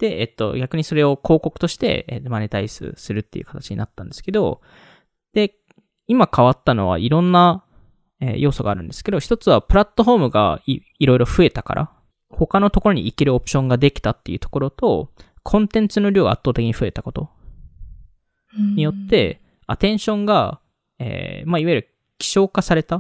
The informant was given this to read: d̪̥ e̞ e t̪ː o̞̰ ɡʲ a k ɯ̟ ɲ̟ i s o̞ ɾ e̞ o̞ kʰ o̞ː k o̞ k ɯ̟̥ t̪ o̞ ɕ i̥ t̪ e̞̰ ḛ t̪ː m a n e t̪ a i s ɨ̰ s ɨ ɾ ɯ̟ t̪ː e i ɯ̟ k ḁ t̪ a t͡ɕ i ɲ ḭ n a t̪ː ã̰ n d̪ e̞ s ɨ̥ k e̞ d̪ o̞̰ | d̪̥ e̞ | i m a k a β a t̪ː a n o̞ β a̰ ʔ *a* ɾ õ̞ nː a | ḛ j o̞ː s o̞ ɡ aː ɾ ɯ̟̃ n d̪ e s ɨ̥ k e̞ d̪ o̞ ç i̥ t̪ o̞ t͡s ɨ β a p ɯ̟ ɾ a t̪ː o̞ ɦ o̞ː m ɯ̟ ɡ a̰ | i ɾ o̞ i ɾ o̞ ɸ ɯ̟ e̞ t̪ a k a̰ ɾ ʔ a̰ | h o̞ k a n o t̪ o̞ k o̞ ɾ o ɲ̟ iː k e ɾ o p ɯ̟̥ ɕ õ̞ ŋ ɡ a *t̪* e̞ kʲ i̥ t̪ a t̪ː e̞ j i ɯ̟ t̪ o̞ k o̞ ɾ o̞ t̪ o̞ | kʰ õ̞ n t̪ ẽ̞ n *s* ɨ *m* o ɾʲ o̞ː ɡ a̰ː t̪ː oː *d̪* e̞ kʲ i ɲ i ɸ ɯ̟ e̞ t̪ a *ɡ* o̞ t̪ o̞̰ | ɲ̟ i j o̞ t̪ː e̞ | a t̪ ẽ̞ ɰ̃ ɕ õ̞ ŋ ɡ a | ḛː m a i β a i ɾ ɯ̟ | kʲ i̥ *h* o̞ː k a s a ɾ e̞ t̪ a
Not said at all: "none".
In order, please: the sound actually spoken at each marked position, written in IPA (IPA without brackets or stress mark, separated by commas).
i, d̪, t͡s, n, t̪, k, ɕ